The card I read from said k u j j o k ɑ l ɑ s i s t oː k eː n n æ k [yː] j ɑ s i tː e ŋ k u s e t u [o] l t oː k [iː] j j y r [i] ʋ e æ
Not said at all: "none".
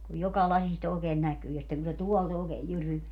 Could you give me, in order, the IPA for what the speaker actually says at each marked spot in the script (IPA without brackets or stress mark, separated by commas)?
yː, ɔ, eː, y